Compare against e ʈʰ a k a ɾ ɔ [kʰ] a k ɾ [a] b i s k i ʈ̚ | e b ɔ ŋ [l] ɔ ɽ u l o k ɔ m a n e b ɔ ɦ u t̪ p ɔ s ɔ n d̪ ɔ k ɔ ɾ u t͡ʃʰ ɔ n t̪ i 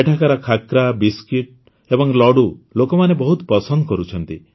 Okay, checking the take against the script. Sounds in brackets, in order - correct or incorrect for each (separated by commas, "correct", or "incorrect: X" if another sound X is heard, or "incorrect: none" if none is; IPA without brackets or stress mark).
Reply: correct, correct, correct